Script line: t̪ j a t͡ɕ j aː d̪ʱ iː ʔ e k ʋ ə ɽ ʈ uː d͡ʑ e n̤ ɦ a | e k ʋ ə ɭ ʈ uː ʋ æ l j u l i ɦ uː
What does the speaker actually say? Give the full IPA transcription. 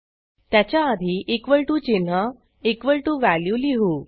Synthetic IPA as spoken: t̪ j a t͡ɕ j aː d̪ʱ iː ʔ e k ʋ ə ɭ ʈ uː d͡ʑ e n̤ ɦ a | e k ʋ ə ɭ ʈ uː ʋ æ l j u l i ɦ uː